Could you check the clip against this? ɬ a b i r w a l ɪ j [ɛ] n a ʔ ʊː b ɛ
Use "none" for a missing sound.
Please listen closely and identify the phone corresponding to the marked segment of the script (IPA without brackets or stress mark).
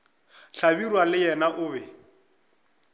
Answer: ɛ